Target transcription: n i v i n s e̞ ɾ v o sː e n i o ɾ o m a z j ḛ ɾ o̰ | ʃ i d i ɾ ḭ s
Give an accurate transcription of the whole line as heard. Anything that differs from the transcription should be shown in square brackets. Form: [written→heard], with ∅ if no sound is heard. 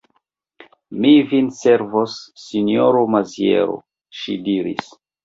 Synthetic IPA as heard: [n→m] i v i n s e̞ ɾ v o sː [e→i] n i o ɾ o m a z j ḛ ɾ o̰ | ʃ i d i ɾ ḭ s